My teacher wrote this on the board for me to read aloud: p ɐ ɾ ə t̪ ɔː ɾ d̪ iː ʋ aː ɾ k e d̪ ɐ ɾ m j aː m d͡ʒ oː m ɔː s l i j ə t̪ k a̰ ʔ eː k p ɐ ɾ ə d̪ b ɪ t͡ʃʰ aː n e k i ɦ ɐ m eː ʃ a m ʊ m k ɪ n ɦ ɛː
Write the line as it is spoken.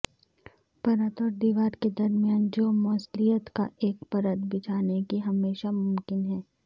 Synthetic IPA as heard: p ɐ ɾ ə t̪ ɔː ɾ d̪ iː ʋ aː ɾ k e d̪ ɐ ɾ m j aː n d͡ʒ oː m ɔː s l i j ə t̪ k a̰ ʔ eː k p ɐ ɾ ə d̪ b ɪ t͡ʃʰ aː n e k i ɦ ɐ m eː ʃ a m ʊ m k ɪ n ɦ ɛː